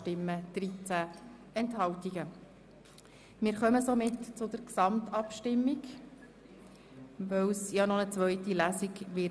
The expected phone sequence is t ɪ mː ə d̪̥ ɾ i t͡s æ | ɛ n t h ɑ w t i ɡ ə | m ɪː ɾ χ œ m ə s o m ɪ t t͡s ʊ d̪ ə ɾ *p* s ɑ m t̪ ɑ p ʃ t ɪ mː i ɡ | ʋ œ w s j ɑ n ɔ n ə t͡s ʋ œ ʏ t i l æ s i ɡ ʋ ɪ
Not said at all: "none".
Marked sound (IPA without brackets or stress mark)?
k